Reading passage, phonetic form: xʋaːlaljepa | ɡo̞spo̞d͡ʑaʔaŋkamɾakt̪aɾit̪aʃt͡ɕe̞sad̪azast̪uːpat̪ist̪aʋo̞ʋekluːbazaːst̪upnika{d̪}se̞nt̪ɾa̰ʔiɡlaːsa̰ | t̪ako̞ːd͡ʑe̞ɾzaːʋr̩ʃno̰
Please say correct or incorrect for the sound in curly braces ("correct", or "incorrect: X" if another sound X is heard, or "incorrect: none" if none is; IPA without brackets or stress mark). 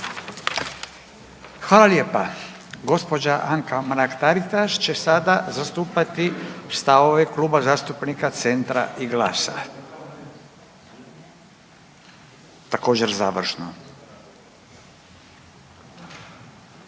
incorrect: t̪